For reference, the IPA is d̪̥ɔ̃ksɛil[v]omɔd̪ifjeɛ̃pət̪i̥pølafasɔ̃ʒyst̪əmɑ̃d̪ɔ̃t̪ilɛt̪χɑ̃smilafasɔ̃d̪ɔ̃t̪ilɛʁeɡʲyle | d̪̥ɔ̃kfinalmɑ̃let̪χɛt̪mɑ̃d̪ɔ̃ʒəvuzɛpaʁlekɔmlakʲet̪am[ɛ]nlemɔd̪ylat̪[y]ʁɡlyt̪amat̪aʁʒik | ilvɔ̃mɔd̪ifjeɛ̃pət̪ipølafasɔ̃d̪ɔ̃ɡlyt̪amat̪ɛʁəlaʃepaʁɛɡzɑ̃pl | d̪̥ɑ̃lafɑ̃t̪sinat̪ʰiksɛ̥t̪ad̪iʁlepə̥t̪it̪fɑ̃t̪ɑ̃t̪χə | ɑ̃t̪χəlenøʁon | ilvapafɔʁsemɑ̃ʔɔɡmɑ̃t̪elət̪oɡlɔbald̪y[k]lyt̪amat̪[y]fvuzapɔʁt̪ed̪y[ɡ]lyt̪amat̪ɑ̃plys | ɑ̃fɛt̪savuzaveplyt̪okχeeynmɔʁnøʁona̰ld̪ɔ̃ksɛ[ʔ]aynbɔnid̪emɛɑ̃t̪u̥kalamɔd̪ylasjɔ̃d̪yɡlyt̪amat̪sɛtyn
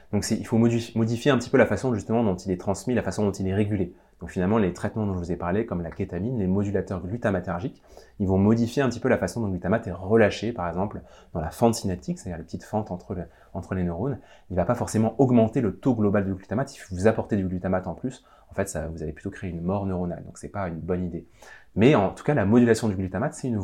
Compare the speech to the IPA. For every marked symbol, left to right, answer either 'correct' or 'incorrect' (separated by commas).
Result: incorrect, incorrect, incorrect, incorrect, incorrect, correct, incorrect